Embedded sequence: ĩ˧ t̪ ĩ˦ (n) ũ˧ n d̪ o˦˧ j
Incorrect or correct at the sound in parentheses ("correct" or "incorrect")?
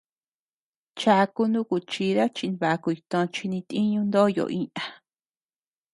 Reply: incorrect